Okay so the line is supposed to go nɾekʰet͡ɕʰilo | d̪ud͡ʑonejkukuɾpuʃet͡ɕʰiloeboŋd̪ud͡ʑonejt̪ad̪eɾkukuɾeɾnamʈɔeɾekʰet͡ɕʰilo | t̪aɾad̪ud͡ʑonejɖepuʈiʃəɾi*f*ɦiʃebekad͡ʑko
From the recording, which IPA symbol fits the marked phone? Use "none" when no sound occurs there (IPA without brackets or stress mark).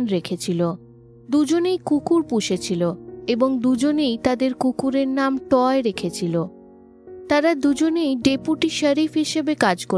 f